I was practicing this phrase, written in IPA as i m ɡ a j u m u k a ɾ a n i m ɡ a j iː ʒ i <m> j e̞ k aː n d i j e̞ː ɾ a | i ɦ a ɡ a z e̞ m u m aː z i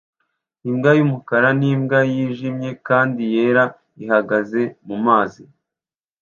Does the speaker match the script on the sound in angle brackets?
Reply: yes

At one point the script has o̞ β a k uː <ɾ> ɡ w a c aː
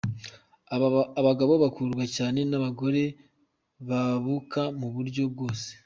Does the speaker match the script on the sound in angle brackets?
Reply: yes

